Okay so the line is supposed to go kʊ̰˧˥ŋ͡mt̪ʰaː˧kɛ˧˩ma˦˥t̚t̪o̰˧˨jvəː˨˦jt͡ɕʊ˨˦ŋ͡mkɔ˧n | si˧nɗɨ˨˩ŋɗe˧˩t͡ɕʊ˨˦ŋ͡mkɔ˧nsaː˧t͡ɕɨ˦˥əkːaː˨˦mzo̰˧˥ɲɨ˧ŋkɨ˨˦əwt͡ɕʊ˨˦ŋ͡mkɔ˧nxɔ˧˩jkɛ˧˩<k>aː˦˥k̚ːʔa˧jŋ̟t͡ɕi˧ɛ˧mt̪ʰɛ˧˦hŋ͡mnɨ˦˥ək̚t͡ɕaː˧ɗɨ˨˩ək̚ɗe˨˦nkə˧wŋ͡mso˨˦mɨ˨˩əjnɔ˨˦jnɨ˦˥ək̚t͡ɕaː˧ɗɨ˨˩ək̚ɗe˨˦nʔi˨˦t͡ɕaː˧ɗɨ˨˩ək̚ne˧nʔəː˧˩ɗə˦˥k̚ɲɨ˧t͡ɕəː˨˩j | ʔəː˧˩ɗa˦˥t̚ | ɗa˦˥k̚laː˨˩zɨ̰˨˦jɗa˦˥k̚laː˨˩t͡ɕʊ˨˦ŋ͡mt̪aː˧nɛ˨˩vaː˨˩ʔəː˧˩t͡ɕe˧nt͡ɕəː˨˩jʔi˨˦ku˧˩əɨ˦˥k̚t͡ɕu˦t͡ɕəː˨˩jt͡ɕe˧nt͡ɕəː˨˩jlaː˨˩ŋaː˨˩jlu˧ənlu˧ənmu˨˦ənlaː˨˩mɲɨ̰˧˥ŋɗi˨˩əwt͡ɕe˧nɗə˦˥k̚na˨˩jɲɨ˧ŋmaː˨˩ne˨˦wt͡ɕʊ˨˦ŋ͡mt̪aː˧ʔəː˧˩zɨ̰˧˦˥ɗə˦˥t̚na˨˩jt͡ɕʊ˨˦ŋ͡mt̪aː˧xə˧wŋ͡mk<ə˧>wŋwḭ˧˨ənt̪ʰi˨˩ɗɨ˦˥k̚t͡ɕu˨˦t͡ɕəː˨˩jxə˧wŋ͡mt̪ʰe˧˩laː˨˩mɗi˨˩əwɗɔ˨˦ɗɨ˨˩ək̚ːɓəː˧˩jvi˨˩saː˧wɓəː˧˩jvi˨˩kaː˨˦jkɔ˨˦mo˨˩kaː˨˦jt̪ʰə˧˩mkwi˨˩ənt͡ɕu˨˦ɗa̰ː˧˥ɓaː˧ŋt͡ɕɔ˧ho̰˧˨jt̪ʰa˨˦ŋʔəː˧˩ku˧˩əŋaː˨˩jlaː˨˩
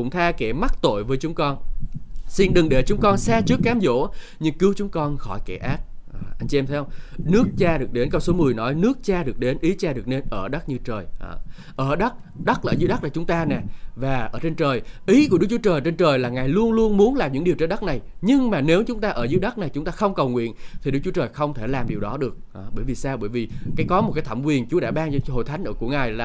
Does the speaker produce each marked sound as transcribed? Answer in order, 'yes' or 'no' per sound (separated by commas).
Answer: no, no